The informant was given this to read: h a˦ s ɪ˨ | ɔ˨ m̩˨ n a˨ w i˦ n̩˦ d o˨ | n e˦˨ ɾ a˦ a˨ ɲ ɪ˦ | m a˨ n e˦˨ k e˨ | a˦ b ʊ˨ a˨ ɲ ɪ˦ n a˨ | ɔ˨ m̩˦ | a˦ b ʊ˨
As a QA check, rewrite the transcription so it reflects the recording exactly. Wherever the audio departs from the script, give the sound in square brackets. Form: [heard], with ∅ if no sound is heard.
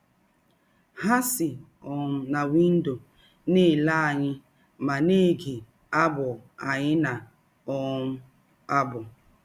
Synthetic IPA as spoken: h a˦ s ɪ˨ | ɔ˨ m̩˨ n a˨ w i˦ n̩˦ d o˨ | n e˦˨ [l] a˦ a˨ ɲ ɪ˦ | m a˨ n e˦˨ [ɡ] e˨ | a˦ b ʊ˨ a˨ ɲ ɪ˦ n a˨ | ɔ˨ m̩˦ | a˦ b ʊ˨